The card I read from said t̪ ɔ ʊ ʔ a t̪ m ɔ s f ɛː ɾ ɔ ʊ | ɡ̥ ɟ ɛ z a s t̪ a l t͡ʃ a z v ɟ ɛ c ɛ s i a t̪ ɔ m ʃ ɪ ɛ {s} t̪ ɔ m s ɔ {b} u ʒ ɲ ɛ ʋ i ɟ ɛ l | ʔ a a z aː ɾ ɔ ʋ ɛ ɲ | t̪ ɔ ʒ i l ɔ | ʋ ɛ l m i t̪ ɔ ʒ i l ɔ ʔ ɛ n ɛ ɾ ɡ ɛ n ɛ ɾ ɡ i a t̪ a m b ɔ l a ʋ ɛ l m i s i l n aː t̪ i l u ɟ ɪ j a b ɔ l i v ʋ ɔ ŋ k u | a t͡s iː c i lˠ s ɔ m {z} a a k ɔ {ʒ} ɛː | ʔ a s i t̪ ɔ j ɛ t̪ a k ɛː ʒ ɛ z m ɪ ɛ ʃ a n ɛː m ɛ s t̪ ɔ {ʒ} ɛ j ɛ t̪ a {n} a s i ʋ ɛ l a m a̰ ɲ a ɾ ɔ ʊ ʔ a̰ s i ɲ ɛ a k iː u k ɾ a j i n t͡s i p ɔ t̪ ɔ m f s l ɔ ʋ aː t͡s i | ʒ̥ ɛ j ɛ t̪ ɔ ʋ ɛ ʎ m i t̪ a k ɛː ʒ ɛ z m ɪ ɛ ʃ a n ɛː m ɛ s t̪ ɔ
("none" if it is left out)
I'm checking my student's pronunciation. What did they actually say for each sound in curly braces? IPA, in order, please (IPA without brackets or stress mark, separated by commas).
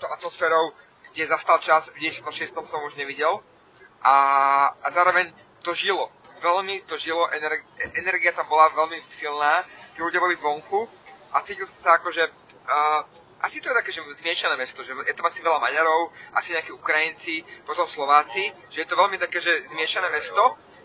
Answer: s, m, s, ʒ, ʒ, m